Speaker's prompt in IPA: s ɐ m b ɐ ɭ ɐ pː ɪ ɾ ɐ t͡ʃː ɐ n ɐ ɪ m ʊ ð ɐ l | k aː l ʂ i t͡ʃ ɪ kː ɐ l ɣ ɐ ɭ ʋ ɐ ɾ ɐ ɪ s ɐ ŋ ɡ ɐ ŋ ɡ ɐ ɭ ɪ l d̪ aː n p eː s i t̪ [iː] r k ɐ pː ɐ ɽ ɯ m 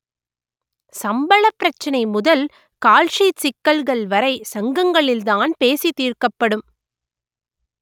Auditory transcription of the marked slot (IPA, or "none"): iː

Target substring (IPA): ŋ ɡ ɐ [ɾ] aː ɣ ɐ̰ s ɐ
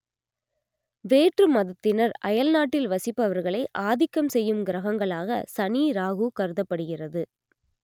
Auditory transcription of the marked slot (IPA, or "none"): ɭ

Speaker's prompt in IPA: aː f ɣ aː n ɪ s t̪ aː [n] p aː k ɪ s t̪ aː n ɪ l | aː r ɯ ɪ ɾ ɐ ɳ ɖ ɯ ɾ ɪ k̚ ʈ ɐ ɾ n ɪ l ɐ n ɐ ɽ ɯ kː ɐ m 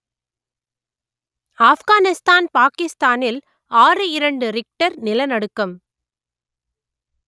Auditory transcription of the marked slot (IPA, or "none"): n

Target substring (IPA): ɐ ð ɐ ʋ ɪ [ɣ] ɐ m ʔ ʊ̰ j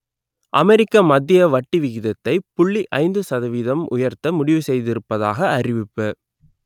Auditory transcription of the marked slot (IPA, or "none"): ð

